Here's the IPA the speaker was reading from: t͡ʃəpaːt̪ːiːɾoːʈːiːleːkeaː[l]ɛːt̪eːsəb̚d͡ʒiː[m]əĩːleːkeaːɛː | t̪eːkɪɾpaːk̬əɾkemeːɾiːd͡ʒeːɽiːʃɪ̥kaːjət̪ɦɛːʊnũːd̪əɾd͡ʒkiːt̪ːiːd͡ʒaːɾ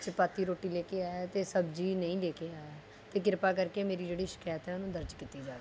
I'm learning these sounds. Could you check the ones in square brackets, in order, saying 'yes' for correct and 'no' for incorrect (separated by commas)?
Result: no, no